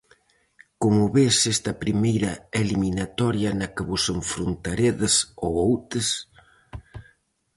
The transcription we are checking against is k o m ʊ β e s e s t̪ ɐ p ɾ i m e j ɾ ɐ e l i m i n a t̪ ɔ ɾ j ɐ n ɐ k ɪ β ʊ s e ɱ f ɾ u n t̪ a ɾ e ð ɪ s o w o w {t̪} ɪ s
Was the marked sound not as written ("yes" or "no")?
no